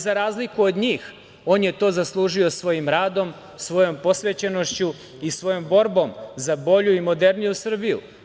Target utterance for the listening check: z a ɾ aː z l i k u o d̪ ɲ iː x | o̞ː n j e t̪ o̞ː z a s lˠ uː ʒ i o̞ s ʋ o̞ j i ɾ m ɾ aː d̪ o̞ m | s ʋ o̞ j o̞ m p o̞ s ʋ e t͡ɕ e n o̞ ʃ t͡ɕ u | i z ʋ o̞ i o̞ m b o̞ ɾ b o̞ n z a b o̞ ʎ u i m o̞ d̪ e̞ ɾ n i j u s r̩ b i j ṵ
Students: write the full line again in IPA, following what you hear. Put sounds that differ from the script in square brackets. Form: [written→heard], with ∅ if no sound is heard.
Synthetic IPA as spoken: z a ɾ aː z l i k u o d̪ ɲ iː x | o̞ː n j e t̪ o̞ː z a s lˠ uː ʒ i o̞ s ʋ o̞ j i [ɾ→∅] m ɾ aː d̪ o̞ m | s ʋ o̞ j o̞ m p o̞ s ʋ e t͡ɕ e n o̞ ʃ t͡ɕ u | i [z→s] ʋ o̞ [i→j] o̞ m b o̞ ɾ b o̞ [n→m] z a b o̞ ʎ u i m o̞ d̪ e̞ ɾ n i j u s r̩ b i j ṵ

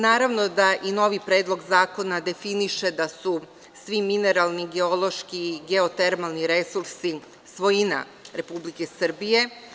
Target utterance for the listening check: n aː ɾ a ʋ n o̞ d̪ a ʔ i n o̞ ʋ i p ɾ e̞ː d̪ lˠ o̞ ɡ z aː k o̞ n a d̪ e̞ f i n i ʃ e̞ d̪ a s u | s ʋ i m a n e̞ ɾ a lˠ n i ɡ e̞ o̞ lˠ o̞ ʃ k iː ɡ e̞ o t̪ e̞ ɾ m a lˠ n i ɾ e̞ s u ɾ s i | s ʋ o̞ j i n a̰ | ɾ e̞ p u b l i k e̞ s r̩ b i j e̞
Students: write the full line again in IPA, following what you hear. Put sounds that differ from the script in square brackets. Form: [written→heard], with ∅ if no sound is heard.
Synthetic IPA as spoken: n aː ɾ a ʋ n o̞ d̪ a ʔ i n o̞ ʋ i p ɾ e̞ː d̪ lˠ o̞ ɡ z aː k o̞ n a d̪ e̞ f i n i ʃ e̞ d̪ a s u | s ʋ i m [a→i] n e̞ ɾ a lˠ n i ɡ e̞ o̞ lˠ o̞ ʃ k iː ɡ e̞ o t̪ e̞ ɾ m a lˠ n i ɾ e̞ s u ɾ s i | s ʋ o̞ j i n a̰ | ɾ e̞ p u b l i k e̞ s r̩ b i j e̞

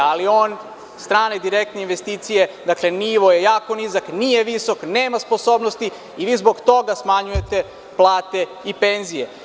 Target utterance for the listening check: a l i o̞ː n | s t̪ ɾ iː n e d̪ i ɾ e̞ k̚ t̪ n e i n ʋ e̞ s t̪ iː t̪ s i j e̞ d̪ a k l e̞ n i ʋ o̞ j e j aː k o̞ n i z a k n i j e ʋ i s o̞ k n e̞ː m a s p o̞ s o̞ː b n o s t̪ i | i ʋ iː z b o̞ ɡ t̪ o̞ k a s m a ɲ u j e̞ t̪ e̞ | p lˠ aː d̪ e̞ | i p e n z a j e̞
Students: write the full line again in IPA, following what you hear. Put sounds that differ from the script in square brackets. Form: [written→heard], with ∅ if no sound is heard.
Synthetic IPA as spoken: a l i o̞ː n | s t̪ ɾ [iː→aː] n e d̪ i ɾ e̞ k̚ t̪ n e i n ʋ e̞ s t̪ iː t̪ s i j e̞ d̪ a k l e̞ n i ʋ o̞ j e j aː k o̞ n i z a k n i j e ʋ i s o̞ k n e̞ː m a s p o̞ s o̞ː b n o s t̪ i | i ʋ iː z b o̞ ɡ t̪ o̞ [k→ɡ] a s m a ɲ u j e̞ t̪ e̞ | p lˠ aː [d̪→t̪] e̞ | i p e n z [a→i] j e̞

